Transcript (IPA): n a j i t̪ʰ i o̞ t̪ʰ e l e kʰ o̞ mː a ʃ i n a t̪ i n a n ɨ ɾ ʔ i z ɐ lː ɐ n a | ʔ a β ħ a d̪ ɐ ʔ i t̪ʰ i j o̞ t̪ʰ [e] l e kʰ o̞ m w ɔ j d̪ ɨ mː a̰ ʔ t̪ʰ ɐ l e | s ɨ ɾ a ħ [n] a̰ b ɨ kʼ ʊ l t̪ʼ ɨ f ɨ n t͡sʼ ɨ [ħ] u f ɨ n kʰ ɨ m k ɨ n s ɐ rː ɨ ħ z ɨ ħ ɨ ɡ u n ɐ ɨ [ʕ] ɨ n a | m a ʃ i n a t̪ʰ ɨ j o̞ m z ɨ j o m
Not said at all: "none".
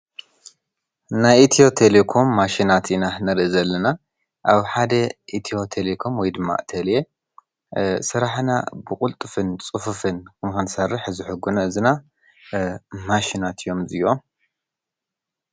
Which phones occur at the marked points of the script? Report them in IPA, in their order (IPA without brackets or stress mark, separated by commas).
e, n, f, z